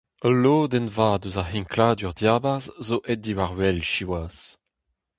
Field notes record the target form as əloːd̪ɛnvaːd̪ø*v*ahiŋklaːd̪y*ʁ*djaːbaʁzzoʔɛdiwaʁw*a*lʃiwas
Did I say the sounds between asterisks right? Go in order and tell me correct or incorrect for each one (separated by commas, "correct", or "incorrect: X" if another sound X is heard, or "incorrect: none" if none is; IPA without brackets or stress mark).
incorrect: z, correct, incorrect: ɛ